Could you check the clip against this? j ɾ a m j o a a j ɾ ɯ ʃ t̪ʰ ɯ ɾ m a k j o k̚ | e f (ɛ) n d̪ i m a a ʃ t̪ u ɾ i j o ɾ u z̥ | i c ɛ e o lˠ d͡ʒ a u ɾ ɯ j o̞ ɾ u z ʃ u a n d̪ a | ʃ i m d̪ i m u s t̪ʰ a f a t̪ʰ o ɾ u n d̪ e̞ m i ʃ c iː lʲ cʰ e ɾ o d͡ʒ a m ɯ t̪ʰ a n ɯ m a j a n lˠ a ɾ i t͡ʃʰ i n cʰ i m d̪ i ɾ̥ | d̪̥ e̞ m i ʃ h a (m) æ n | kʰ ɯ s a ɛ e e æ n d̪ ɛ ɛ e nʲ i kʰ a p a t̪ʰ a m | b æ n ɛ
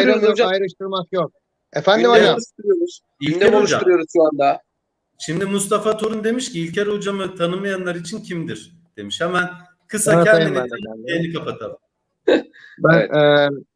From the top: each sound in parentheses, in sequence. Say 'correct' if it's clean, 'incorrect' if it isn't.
incorrect, correct

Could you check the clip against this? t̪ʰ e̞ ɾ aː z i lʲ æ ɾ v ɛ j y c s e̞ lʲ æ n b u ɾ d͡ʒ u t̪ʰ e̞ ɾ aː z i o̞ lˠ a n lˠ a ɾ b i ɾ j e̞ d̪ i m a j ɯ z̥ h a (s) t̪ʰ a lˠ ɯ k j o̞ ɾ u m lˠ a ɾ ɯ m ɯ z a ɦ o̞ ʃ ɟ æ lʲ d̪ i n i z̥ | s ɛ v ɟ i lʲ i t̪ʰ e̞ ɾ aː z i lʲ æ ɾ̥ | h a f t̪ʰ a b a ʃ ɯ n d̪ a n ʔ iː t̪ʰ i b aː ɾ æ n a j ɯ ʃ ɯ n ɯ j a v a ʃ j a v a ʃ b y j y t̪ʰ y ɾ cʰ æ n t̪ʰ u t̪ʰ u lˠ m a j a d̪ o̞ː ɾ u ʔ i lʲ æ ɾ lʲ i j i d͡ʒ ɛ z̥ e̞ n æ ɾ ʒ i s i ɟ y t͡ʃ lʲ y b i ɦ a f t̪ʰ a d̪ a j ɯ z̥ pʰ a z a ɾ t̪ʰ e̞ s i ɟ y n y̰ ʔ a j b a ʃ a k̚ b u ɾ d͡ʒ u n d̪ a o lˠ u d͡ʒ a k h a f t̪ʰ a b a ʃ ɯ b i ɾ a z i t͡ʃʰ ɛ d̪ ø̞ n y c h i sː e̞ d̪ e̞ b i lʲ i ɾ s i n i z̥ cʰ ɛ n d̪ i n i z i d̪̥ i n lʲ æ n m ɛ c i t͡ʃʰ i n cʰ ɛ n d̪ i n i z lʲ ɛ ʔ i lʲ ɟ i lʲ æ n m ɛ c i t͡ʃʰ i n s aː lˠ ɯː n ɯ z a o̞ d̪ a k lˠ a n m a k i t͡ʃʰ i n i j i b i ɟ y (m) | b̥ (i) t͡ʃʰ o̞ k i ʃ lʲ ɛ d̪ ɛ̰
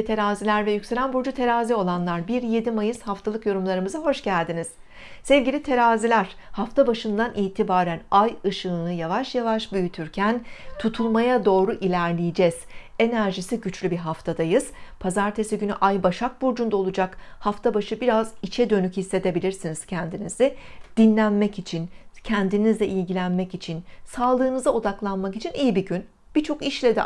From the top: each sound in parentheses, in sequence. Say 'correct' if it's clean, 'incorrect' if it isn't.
incorrect, incorrect, correct

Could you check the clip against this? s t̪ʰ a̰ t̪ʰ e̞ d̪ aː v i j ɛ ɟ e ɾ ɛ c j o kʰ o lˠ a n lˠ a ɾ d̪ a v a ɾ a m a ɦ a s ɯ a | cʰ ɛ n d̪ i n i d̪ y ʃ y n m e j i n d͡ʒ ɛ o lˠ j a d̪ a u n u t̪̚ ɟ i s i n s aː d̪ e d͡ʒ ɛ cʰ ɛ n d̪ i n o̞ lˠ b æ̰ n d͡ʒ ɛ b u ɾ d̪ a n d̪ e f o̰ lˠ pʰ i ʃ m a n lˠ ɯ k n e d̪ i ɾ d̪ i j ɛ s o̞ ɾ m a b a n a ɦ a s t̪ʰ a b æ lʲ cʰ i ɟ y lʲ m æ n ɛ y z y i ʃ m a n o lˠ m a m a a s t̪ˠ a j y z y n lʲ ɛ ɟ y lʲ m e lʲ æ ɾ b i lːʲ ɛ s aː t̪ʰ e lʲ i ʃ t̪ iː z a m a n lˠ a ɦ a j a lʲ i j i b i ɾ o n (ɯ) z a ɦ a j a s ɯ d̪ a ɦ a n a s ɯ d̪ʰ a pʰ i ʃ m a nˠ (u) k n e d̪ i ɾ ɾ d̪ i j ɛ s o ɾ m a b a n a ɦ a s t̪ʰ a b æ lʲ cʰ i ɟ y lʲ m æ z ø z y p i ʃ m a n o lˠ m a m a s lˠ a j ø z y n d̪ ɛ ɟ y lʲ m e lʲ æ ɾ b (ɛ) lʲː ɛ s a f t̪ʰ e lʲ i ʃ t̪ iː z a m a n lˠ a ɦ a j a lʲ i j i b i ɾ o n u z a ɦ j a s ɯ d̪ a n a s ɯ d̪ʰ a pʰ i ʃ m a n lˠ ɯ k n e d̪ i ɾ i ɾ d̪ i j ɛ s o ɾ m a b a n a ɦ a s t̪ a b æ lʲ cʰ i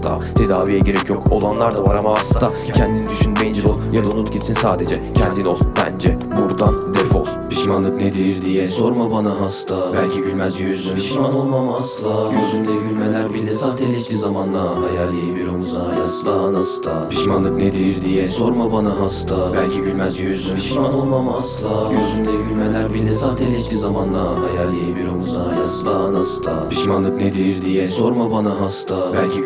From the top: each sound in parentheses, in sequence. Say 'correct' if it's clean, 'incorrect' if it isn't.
incorrect, incorrect, incorrect

